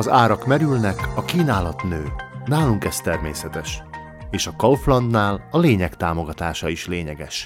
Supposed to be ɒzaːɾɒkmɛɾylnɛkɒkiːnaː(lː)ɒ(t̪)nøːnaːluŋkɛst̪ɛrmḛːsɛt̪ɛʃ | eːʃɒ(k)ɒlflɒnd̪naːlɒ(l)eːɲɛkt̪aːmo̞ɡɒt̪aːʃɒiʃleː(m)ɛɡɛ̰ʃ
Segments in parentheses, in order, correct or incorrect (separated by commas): incorrect, correct, correct, correct, incorrect